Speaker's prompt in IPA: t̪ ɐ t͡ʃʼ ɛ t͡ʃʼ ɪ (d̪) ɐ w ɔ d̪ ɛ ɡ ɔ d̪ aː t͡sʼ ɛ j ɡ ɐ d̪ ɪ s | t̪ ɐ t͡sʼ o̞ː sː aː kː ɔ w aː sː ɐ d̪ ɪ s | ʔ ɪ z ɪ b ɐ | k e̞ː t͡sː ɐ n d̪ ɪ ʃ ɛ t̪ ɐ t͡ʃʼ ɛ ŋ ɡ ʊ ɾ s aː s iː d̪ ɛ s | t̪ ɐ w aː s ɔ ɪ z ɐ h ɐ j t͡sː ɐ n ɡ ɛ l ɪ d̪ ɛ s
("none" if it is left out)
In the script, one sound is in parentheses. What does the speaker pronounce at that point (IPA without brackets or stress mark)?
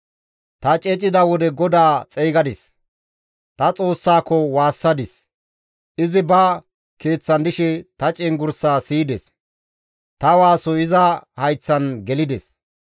d̪